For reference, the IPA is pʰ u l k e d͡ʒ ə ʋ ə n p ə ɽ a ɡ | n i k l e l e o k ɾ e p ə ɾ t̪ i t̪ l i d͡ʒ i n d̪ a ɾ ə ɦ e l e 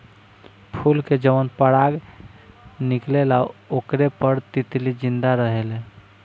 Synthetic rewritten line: pʰ u l k e d͡ʒ ə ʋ ə n p ə ɽ a ɡ | n i k l e l a o k ɾ e p ə ɾ t̪ i t̪ l i d͡ʒ i n d̪ a ɾ ə ɦ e l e